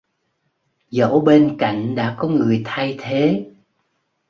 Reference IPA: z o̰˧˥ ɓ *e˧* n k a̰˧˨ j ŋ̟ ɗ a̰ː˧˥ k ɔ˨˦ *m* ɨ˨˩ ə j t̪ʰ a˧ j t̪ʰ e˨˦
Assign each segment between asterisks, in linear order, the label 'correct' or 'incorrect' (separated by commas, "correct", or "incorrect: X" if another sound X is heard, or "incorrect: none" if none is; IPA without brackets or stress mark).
correct, incorrect: ŋ